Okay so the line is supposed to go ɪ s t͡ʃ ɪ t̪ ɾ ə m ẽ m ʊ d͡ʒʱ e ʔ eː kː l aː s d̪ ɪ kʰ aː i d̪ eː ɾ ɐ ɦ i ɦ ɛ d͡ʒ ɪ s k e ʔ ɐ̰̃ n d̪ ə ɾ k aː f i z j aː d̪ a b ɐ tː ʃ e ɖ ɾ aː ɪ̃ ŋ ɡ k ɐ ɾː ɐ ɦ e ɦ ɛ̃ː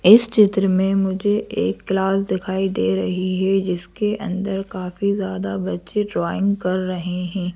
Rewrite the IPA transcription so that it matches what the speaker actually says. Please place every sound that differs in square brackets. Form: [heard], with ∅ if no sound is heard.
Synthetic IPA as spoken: ɪ s t͡ʃ ɪ t̪ ɾ ə m ẽ m ʊ d͡ʒʱ e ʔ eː kː l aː s d̪ ɪ kʰ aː i d̪ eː ɾ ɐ ɦ i ɦ ɛ d͡ʒ ɪ s k e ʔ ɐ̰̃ n d̪ ə ɾ k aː f i z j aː d̪ a b ɐ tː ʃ e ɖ ɾ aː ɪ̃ ŋ ɡ k ɐ ɾː ɐ ɦ e ɦ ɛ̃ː